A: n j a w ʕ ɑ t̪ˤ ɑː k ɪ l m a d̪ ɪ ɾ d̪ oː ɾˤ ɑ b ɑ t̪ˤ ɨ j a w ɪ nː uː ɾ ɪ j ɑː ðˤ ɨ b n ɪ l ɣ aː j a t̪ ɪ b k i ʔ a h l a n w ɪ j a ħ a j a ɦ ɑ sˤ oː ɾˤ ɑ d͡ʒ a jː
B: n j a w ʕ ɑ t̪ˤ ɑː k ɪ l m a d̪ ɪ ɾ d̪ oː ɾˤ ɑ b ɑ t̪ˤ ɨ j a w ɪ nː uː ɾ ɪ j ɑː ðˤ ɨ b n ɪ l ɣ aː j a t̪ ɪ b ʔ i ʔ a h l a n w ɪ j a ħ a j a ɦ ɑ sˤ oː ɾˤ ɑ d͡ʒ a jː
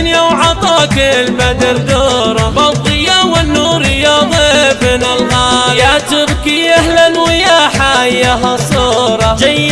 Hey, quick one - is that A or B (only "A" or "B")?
A